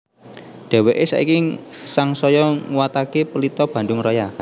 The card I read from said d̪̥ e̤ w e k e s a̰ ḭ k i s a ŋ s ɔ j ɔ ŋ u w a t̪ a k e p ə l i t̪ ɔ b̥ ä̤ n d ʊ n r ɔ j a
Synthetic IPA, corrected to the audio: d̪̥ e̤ w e ʔ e s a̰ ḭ k i s a ŋ s ɔ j ɔ ŋ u w a t̪ a k e p ə l i t̪ ɔ b̥ ä̤ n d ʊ ŋ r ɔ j a

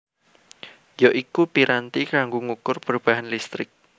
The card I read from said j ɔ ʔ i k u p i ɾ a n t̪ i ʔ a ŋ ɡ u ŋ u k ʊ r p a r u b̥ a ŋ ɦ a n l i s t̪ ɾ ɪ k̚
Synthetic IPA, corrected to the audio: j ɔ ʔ i k u p i ɾ a n t̪ i k a ŋ ɡ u ŋ u k ʊ r p ə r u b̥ a ɦ a n l i s t̪ ɾ ɪ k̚

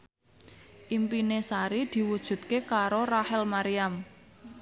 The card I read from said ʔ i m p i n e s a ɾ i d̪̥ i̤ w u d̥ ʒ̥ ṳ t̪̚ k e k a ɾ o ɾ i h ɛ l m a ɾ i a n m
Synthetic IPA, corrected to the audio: ʔ i m p i n e s a ɾ i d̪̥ i̤ w u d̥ ʒ̥ ṳ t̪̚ k e k a ɾ o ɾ a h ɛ l m a ɾ i a m

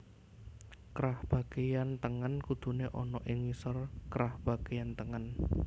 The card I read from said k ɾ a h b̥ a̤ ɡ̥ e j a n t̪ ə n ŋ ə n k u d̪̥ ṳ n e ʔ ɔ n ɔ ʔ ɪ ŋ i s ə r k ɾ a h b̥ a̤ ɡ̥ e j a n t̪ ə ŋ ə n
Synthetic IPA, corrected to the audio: k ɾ a h b̥ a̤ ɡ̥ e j a n t̪ ə ŋ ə n k u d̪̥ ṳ n e ʔ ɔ n ɔ ʔ ɪ ŋ i s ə r k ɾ a h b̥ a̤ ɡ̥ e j a n t̪ ə ŋ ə n

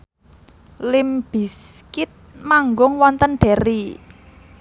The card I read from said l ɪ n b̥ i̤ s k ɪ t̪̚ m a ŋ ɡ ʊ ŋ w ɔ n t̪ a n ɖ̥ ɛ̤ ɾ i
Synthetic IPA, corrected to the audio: l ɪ m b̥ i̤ s k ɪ t̪̚ m a ŋ ɡ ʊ ŋ w ɔ n t̪ ə n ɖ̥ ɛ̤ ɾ i

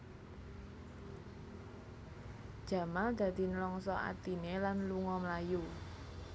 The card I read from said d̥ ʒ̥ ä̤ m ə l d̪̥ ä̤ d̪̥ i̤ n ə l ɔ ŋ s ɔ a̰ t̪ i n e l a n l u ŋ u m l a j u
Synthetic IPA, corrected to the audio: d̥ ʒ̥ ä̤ m a l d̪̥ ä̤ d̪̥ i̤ n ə l ɔ ŋ s ɔ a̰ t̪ i n e l a n l u ŋ ɔ m l a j u

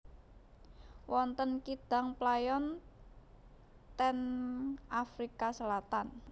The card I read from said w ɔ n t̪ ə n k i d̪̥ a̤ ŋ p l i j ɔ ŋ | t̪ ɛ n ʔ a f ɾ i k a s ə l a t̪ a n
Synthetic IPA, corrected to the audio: w ɔ n t̪ ə n k i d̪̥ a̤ ŋ p l a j ɔ n | t̪ ɛ n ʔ a f ɾ i k a s ə l a t̪ a n

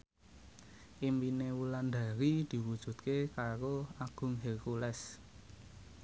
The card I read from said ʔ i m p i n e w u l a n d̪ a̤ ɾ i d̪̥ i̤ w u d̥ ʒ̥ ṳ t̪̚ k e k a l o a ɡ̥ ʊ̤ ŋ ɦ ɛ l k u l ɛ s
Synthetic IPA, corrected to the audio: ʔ i m p i n e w u l a n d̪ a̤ ɾ i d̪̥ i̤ w u d̥ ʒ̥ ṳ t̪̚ k e k a ɾ o a ɡ̥ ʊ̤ ŋ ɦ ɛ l k u l ɛ s

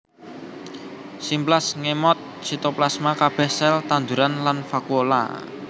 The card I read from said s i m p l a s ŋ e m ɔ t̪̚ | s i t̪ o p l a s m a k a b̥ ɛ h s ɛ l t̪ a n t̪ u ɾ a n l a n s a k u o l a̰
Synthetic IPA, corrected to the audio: s i m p l a s ŋ e m ɔ t̪̚ | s i t̪ o p l a s m a k a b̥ ɛ h s ɛ l t̪ a n d̪ u ɾ a n l a n f a k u o l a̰

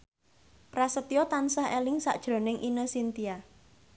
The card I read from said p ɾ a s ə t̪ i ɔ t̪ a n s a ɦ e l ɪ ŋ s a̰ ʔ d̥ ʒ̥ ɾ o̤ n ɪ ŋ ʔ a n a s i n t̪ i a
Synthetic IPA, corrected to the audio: p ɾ a s ə t̪ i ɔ t̪ a n s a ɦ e l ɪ ŋ s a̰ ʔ d̥ ʒ̥ ɾ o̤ n ɪ ŋ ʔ i n ə s i n t̪ i a

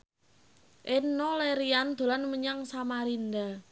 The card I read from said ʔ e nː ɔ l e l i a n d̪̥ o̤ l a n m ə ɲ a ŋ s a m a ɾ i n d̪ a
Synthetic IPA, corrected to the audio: ʔ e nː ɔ l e ɾ i a n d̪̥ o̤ l a n m ə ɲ a ŋ s a m a ɾ i n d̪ a

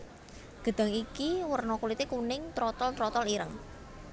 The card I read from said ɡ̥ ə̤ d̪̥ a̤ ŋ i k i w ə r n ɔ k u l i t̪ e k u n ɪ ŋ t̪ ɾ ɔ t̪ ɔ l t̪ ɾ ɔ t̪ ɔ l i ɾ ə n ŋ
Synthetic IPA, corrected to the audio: ɡ̥ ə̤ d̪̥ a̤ ŋ i k i w ə r n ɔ k u l i t̪ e k u n ɪ ŋ t̪ ɾ ɔ t̪ ɔ l t̪ ɾ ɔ t̪ ɔ l i ɾ ə ŋ

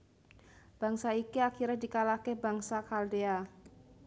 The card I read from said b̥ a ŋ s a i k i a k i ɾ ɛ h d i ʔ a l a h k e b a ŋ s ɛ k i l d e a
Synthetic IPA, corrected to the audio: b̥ a ŋ s a i k i a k i ɾ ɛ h d i k a l a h k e b a ŋ s a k a l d e a

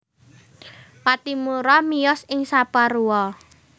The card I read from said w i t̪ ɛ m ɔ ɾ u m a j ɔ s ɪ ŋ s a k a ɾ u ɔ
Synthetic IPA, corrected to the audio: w a t̪ i m u ɾ ɔ m i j ɔ s ɪ ŋ s a p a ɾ u ɔ

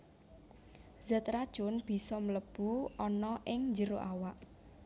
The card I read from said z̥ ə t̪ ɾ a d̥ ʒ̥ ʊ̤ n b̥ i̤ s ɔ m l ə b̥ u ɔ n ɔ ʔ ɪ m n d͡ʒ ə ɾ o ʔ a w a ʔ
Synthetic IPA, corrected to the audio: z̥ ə t̪ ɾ a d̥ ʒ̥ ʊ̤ n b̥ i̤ s ɔ m l ə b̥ u ɔ n ɔ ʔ ɪ ŋ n d͡ʒ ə ɾ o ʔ a w a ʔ

